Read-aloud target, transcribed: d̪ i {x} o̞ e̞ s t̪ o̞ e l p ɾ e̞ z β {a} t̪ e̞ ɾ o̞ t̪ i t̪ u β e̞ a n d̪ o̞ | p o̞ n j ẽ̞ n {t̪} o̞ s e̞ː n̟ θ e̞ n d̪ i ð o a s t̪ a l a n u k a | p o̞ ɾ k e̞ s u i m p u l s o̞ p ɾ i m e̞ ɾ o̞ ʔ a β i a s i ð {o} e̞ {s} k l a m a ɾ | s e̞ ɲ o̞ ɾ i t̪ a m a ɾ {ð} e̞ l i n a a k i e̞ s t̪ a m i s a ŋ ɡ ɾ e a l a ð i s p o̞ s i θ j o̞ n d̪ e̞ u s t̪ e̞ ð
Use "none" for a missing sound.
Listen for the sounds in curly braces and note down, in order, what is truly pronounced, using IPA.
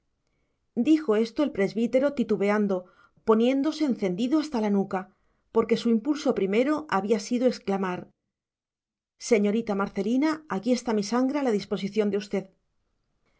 x, i, d̪, o, s, θ

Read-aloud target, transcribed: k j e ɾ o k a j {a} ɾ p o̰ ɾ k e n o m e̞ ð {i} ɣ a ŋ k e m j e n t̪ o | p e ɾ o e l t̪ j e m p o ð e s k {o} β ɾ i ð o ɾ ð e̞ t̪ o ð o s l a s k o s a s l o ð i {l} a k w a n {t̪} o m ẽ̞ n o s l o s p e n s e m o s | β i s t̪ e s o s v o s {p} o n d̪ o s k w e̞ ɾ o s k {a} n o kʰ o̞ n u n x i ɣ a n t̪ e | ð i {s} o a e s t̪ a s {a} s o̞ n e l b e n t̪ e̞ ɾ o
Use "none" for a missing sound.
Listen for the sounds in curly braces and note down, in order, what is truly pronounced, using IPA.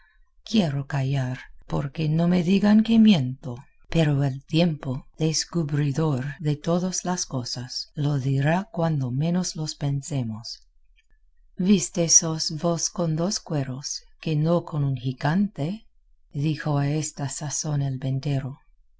a, i, u, ɾ, d̪, k, e, x, a

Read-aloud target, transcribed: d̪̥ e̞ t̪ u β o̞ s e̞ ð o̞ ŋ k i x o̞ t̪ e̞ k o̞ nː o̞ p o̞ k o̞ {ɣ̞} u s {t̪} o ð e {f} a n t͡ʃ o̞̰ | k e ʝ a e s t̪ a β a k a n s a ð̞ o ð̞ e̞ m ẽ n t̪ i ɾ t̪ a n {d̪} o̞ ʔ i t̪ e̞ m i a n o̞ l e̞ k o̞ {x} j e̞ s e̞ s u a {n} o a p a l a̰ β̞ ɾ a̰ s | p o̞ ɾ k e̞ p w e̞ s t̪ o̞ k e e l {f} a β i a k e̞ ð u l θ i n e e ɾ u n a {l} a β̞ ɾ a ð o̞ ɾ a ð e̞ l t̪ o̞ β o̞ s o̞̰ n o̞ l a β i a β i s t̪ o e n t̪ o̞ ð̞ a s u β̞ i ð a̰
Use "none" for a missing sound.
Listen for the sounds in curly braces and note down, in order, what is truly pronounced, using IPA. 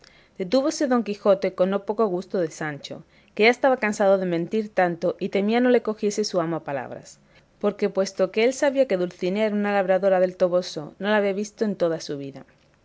ɣ̞, t̪, s, t̪, x, m, s, l

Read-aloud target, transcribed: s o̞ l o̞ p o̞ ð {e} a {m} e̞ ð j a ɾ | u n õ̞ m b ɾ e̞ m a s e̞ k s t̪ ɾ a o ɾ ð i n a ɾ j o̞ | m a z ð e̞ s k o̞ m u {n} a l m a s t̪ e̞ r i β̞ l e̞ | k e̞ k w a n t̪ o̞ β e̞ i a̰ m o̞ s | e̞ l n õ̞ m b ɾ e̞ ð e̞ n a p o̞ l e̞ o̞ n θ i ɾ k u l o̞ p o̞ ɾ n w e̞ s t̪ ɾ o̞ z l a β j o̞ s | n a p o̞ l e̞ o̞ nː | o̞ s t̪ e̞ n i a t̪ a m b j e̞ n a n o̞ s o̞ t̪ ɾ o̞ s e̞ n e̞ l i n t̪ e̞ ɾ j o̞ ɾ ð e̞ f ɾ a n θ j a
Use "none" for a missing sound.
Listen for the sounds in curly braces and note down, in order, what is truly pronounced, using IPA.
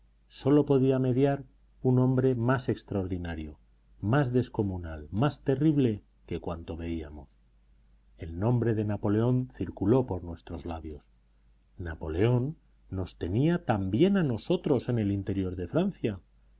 i, m, n

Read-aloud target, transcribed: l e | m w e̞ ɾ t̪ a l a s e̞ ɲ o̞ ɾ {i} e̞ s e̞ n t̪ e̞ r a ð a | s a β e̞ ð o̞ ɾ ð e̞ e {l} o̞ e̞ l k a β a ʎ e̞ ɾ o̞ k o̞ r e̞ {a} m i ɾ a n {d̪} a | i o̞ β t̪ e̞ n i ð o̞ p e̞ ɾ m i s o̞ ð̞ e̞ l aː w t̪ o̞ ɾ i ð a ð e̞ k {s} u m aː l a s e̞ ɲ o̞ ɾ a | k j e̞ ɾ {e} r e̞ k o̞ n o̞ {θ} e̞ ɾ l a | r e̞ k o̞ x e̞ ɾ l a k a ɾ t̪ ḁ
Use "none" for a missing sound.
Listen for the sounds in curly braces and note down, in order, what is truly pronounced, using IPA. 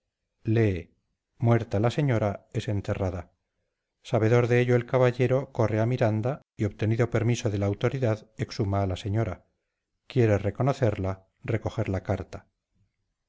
a, ʎ, a, d̪, s, e, θ

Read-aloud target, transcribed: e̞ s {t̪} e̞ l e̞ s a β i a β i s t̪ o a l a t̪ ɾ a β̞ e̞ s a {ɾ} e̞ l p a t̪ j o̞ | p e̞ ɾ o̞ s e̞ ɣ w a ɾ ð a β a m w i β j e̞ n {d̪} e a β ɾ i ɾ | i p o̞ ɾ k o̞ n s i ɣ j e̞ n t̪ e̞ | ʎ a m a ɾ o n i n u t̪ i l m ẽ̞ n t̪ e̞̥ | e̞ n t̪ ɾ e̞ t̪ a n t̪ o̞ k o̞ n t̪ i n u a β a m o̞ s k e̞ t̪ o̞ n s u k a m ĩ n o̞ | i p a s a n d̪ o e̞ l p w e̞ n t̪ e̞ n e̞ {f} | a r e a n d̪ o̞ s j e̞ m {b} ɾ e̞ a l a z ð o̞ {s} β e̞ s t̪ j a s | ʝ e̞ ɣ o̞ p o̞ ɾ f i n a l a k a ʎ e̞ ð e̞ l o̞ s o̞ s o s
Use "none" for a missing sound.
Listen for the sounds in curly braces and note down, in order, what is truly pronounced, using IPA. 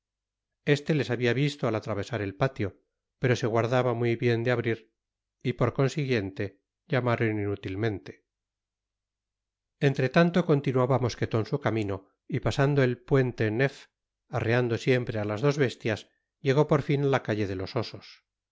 t̪, ɾ, d̪, f, p, z

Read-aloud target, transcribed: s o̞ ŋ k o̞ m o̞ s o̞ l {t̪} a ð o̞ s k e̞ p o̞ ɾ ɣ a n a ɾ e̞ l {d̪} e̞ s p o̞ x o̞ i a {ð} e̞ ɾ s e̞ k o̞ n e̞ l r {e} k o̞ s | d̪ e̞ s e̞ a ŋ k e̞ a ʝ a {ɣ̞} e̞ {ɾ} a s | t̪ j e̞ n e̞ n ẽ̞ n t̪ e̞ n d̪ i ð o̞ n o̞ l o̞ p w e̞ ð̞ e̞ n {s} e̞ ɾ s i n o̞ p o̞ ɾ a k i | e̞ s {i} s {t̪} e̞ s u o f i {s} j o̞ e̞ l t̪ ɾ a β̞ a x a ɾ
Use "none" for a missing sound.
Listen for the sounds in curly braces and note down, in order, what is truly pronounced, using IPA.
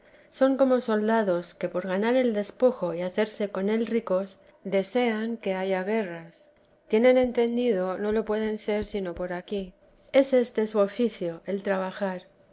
d̪, d̪, θ, i, ɣ̞, r, s, e, t̪, θ

